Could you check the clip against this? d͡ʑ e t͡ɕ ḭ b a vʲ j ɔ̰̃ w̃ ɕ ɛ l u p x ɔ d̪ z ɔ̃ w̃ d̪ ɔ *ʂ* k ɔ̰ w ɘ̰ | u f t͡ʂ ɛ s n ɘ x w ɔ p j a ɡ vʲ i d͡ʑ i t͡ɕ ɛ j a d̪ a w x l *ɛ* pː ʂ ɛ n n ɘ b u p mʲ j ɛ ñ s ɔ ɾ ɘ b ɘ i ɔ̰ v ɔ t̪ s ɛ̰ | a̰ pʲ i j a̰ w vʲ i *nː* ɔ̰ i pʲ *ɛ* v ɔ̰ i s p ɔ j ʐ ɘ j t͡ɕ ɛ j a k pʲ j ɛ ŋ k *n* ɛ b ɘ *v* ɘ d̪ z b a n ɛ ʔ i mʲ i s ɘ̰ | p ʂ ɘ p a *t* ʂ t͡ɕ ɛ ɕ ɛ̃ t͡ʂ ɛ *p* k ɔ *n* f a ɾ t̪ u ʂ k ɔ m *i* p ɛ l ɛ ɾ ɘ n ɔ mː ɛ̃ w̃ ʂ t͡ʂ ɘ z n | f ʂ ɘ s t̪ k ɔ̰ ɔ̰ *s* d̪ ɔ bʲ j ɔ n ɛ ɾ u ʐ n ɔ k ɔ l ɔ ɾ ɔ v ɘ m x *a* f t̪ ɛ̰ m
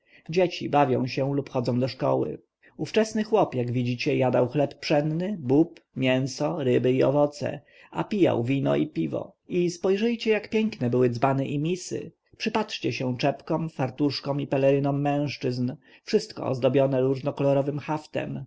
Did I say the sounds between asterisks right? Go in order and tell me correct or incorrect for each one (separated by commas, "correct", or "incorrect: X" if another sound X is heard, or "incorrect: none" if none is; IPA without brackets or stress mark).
correct, correct, incorrect: n, incorrect: i, correct, incorrect: w, correct, correct, incorrect: m, correct, incorrect: z, correct